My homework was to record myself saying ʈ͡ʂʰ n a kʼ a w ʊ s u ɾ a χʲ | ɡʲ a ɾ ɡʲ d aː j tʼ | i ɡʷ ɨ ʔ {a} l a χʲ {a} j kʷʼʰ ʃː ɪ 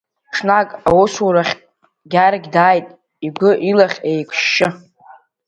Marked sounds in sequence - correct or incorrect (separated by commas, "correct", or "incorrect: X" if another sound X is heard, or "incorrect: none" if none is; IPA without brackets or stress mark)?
incorrect: i, incorrect: e